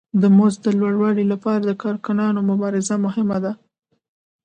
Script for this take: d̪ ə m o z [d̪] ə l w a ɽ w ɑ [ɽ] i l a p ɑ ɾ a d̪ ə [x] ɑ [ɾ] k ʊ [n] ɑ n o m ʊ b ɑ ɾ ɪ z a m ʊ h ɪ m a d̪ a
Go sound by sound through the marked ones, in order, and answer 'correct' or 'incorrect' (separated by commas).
correct, correct, incorrect, correct, correct